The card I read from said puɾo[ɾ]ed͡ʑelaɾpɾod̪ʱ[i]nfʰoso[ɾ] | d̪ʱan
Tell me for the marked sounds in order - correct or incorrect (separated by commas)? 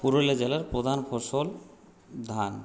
incorrect, incorrect, incorrect